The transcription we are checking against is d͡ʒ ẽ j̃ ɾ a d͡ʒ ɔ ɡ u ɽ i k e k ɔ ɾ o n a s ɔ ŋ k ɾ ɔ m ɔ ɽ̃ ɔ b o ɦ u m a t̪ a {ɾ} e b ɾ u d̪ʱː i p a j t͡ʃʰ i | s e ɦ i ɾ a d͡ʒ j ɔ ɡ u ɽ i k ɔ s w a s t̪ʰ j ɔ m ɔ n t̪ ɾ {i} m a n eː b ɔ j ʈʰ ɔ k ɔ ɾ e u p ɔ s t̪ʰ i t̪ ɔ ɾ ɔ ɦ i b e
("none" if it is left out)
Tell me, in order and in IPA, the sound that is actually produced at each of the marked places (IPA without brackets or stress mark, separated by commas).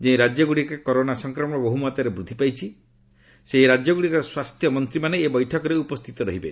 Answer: ɾ, i